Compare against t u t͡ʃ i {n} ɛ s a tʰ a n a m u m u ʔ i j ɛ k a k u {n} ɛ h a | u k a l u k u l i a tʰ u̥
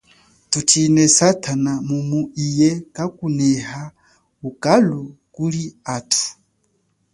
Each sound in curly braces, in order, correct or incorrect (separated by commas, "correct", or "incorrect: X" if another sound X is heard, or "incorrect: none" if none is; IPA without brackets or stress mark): correct, correct